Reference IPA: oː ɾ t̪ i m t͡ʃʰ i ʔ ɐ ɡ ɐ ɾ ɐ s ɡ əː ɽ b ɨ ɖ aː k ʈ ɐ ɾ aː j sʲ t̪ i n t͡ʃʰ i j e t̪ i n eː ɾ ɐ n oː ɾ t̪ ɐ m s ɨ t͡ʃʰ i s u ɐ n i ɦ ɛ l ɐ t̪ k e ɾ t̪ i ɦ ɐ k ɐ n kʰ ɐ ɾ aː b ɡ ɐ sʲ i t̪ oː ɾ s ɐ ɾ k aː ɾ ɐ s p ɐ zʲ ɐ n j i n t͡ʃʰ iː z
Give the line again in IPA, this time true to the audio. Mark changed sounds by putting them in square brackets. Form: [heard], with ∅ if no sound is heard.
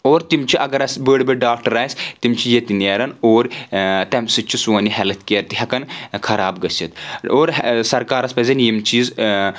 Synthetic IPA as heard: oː ɾ t̪ i m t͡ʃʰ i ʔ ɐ ɡ ɐ ɾ ɐ s [b] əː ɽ b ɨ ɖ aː k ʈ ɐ ɾ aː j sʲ t̪ i [m] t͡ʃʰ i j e t̪ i n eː ɾ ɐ n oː ɾ t̪ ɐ m s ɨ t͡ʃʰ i s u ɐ n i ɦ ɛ l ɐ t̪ k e ɾ t̪ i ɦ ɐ k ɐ n kʰ ɐ ɾ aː b ɡ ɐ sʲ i t̪ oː ɾ s ɐ ɾ k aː ɾ ɐ s p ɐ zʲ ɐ n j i [m] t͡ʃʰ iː z